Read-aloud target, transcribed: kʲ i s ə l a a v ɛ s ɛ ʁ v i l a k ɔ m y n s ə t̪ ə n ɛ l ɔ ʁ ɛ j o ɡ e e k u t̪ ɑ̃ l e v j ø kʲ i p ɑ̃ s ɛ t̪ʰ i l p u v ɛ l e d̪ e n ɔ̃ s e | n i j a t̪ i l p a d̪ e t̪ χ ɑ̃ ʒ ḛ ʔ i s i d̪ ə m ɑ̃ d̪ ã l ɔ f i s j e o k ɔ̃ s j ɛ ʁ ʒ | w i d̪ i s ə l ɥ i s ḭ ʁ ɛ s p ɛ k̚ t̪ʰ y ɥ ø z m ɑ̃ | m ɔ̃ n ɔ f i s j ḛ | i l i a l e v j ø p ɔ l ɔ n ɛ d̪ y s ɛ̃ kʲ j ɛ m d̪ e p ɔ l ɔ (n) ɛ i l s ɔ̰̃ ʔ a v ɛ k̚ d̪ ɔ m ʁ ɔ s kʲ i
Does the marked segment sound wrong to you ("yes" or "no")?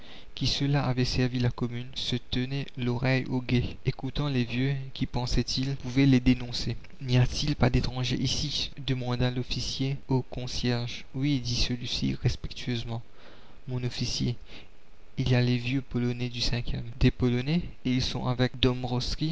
no